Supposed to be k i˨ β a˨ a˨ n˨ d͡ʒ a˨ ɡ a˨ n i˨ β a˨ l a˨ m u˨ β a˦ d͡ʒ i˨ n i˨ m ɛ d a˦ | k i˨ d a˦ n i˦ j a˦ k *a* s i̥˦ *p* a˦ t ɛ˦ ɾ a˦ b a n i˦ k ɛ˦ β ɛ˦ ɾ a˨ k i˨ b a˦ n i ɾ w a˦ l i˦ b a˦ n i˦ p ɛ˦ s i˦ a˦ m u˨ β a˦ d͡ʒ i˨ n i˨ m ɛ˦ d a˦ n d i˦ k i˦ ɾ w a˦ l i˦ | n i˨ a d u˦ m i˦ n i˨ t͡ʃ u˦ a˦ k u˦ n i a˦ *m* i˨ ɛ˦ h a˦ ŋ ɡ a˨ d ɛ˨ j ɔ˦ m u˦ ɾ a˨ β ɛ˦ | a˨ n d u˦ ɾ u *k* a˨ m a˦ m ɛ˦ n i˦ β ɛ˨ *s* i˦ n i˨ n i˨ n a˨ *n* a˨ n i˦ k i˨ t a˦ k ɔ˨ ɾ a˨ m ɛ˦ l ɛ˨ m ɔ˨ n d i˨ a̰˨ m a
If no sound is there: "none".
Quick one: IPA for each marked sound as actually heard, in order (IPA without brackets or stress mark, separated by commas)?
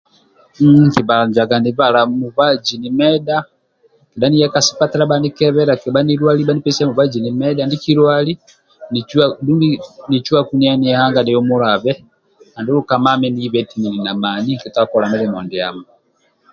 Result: a, p, n, k, t, m